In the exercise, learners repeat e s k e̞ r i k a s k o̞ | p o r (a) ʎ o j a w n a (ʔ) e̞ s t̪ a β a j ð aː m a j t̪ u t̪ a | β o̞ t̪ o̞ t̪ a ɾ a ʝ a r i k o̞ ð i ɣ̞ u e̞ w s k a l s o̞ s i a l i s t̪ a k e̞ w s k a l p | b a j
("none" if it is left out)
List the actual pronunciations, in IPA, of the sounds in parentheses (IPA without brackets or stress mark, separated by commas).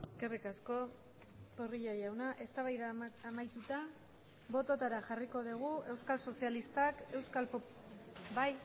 i, ʔ